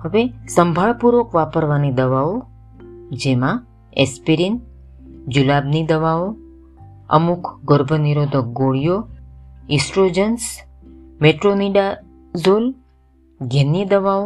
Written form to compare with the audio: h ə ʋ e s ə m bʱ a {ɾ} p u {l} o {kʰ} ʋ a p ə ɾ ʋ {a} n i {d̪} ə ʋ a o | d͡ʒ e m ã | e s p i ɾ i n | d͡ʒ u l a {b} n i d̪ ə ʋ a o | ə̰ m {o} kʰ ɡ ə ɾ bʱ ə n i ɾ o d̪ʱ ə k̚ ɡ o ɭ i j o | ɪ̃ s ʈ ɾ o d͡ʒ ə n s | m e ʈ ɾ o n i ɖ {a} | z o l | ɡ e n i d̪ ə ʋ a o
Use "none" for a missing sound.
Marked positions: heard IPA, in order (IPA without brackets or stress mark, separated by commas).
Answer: ɭ, ɾ, k, a, d̪, b, u, a